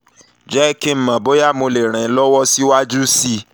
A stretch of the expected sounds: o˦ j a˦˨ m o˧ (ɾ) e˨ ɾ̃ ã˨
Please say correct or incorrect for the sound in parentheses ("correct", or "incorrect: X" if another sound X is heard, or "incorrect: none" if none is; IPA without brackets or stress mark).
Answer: incorrect: l